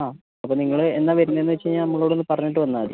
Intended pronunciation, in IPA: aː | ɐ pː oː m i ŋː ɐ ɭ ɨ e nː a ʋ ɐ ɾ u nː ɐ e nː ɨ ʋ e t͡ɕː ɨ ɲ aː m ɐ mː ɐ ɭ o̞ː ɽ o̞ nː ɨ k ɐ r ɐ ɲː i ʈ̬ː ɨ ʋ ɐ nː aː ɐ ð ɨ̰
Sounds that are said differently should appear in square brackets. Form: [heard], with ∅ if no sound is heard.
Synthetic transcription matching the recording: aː | ɐ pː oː [n] i ŋː ɐ ɭ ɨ e nː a ʋ ɐ ɾ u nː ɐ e nː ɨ ʋ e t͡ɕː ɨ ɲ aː [n] ɐ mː ɐ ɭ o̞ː ɽ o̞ nː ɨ [p] ɐ r ɐ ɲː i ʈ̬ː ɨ ʋ ɐ nː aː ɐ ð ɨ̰